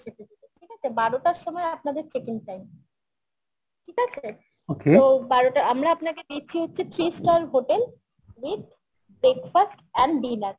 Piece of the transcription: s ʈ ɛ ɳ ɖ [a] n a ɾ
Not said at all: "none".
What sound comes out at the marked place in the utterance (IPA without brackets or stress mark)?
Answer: i